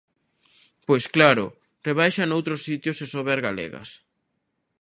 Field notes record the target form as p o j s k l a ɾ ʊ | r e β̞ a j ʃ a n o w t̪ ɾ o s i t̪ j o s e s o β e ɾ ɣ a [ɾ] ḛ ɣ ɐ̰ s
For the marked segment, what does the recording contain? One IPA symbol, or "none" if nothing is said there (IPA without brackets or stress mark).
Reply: l